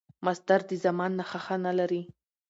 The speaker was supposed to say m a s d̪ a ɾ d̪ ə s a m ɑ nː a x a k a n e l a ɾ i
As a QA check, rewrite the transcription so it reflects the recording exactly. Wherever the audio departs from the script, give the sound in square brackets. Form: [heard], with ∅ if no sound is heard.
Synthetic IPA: m a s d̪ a ɾ d̪ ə [z] a m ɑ nː a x a [x] a n [a] l a ɾ i